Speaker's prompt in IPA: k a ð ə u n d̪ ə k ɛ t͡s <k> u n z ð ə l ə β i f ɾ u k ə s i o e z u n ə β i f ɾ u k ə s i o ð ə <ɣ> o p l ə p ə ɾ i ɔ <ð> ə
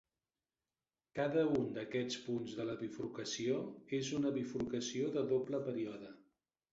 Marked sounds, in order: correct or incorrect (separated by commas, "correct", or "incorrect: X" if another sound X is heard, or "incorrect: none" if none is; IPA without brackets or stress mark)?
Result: incorrect: p, incorrect: ð, correct